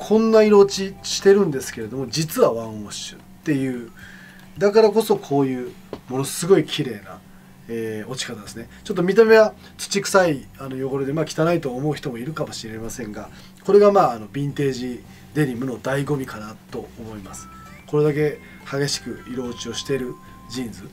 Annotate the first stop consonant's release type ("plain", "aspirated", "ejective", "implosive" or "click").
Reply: aspirated